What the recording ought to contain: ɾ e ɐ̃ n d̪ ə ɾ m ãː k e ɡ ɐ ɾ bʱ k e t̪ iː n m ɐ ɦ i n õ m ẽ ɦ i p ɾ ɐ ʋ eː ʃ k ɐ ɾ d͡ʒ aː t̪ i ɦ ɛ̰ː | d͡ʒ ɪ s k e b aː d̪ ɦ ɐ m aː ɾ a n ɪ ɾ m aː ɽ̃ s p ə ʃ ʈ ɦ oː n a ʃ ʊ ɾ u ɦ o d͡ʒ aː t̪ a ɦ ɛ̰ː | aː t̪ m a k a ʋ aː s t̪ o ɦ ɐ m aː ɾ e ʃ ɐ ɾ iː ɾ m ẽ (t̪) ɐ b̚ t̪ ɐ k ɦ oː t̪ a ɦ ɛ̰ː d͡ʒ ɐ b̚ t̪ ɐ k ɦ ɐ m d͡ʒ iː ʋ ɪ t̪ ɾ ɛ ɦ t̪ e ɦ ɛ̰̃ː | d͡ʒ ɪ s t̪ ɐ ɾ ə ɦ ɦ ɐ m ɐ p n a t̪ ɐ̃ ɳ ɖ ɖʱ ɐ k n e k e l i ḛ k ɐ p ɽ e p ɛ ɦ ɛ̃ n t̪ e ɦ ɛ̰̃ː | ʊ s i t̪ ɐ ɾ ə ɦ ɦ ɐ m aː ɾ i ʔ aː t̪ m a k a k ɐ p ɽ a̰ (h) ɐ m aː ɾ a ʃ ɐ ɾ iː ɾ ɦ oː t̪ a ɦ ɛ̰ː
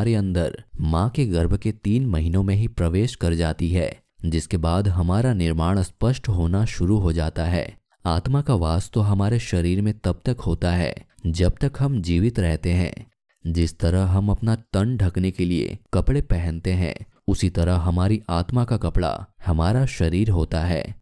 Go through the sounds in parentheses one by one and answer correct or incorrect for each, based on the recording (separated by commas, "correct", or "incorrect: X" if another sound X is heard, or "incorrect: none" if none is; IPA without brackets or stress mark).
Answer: correct, correct